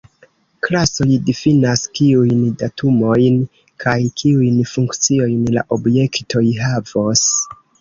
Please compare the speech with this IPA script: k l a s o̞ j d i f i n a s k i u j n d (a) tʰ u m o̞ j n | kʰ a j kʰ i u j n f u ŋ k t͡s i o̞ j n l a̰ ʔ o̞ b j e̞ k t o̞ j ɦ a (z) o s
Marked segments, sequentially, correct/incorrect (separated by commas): correct, incorrect